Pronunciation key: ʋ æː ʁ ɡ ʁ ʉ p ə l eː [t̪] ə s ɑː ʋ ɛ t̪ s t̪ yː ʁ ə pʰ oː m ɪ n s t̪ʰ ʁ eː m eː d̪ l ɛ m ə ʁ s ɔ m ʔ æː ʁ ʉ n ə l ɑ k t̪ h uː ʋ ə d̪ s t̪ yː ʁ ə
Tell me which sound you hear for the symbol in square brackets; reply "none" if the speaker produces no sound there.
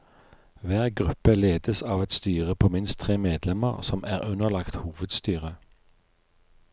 d̪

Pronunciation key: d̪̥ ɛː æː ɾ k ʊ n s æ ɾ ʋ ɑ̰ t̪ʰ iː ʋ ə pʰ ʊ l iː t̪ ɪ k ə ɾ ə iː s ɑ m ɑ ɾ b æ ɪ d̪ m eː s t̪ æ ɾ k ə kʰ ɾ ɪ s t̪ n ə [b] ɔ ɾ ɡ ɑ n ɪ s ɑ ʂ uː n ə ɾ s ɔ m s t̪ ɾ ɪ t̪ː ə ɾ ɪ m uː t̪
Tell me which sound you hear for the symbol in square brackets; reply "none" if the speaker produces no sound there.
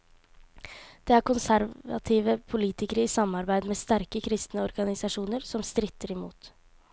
none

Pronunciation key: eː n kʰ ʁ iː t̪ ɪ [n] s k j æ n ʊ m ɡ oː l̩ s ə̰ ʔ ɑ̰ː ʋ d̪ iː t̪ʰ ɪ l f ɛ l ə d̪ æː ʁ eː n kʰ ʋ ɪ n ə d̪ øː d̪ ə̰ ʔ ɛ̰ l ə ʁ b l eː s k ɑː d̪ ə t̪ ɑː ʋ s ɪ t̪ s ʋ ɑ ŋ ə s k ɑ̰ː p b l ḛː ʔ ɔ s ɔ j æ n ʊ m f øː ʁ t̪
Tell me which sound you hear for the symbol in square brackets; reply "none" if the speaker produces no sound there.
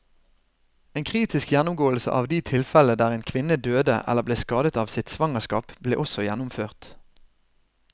none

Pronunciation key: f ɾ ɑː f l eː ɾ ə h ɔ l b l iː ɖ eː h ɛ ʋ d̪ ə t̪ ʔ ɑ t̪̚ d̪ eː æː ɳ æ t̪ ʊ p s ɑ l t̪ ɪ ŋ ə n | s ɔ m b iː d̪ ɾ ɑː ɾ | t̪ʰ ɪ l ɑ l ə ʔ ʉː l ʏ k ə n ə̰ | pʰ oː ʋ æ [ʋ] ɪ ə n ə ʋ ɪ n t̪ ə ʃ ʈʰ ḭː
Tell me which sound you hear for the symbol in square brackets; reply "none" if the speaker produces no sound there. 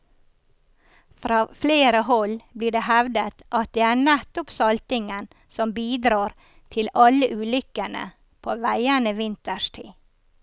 none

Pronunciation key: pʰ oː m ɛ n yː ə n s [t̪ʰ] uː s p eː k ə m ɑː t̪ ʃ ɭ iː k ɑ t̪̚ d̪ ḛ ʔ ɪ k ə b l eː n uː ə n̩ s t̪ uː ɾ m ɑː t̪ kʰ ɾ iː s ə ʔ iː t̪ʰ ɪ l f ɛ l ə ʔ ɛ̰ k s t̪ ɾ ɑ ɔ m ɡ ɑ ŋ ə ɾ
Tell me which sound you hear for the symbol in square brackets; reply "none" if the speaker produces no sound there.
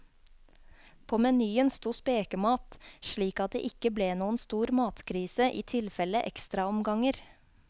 t̪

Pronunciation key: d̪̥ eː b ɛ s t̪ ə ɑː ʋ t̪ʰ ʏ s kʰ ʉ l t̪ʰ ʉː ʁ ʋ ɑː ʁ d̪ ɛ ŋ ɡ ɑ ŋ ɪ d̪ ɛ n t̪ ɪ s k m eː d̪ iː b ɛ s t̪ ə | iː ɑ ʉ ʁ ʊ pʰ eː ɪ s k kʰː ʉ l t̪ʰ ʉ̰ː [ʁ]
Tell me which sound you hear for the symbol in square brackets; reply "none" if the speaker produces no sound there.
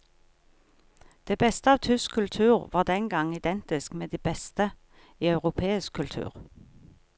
ʁ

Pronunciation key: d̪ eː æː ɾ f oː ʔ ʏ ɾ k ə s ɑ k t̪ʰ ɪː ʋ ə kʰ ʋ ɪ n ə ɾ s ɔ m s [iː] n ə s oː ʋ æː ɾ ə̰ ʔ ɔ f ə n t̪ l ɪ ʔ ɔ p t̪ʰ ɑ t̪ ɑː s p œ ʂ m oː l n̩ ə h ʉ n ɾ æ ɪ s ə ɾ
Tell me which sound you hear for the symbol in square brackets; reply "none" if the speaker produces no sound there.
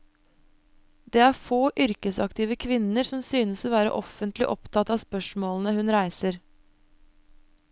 yː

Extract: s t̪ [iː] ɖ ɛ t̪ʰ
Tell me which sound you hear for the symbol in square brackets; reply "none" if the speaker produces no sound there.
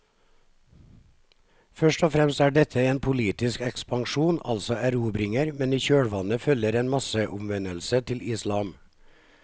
æː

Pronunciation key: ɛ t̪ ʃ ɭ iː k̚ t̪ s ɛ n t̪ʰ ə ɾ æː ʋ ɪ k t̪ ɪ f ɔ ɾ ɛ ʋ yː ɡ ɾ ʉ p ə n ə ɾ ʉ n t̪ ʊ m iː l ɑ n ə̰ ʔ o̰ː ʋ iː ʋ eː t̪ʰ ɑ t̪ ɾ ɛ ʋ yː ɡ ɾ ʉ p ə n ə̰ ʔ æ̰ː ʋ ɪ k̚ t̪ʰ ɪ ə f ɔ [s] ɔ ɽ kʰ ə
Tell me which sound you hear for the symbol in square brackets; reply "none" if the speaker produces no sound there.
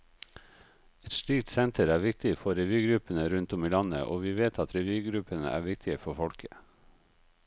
f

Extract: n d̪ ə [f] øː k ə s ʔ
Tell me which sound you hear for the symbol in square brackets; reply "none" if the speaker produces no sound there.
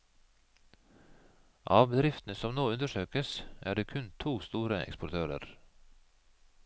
ʃ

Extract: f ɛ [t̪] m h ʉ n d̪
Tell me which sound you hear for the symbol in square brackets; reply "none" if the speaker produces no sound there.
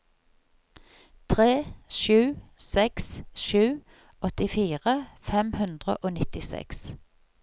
none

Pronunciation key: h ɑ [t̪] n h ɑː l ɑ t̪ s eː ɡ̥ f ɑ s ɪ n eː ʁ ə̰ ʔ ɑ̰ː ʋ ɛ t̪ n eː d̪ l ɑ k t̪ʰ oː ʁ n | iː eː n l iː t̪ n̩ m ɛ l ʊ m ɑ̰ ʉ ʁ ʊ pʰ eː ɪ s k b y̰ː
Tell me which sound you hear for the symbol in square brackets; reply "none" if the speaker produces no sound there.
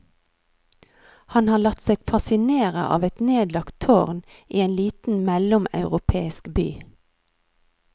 none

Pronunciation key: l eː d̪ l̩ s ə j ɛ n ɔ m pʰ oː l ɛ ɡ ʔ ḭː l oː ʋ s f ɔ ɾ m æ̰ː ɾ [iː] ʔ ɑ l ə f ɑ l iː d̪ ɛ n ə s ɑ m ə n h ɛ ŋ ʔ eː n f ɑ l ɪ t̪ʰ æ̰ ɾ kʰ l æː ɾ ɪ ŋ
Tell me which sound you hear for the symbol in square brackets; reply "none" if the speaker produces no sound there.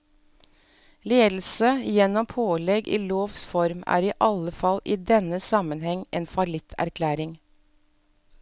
iː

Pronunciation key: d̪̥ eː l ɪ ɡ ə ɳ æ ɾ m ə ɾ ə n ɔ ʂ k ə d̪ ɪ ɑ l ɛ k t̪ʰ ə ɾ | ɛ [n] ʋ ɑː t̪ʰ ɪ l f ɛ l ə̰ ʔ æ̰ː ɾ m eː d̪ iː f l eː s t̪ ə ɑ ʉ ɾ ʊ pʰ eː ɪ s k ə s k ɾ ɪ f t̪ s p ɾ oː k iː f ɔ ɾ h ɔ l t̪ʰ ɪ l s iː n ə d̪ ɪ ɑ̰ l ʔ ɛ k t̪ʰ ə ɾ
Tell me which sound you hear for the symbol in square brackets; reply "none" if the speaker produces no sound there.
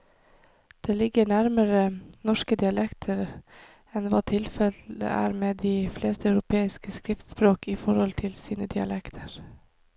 n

